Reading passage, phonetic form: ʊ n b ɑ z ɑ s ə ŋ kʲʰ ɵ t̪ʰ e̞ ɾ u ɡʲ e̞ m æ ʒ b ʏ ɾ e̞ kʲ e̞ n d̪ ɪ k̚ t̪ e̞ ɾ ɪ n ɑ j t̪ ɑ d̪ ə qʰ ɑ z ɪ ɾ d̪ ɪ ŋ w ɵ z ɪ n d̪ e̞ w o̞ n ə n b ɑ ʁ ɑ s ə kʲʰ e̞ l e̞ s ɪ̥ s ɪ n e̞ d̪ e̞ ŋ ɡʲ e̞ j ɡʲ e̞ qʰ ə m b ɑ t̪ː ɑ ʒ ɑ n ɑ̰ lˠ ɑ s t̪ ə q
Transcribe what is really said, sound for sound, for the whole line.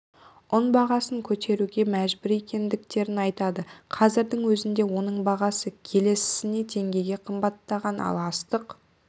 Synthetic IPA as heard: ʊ n b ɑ ʁ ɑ s ə ŋ kʲʰ ɵ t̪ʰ e̞ ɾ u ɡʲ e̞ m æ ʒ b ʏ ɾ e̞ kʲ e̞ n d̪ ɪ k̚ t̪ e̞ ɾ ɪ n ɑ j t̪ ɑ d̪ ə qʰ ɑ z ɪ ɾ d̪ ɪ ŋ w ɵ z ɪ n d̪ e̞ w o̞ n ə ɴ b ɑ ʁ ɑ s ə kʲʰ e̞ l e̞ s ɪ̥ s ɪ n e̞ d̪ e̞ ŋ ɡʲ e̞ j ɡʲ e̞ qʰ ə m b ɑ t̪ː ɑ ʁ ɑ n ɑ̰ lˠ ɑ s t̪ ə q